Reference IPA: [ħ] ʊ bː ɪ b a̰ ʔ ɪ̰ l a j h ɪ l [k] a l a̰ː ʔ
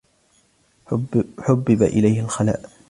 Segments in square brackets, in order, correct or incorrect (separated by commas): correct, incorrect